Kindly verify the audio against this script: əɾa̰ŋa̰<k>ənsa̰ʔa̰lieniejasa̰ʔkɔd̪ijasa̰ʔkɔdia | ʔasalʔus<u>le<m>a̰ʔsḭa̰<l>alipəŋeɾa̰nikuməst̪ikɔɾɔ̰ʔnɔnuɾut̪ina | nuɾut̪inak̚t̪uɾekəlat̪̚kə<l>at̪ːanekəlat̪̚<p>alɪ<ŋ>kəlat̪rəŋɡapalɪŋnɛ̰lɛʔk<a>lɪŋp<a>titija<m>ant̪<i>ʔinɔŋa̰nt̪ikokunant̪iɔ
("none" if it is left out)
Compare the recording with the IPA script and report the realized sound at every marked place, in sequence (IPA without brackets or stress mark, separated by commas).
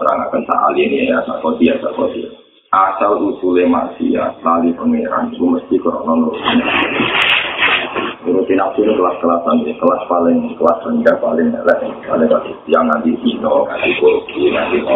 k, u, m, l, l, p, ŋ, a, a, ŋ, i